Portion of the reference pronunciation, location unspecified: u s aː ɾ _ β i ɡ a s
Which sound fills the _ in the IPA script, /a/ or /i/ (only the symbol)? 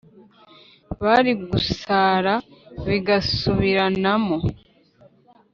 a